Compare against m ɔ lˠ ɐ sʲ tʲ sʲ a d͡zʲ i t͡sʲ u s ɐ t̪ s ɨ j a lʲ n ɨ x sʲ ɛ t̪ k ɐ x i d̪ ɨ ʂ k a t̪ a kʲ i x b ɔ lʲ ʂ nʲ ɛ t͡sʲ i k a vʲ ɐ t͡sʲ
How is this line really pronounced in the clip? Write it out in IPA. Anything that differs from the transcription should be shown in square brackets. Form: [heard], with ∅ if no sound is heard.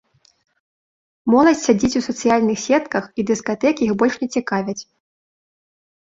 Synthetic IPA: m ɔ lˠ ɐ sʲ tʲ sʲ a d͡zʲ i t͡sʲ u s ɐ t̪ s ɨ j a lʲ n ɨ x sʲ ɛ t̪ k ɐ x i d̪ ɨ [s] k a t̪ [ɛ] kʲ i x b ɔ lʲ ʂ nʲ ɛ t͡sʲ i k a vʲ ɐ t͡sʲ